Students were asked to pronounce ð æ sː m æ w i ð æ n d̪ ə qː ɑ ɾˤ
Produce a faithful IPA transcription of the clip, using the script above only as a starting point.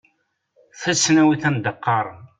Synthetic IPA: θ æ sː n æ w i θ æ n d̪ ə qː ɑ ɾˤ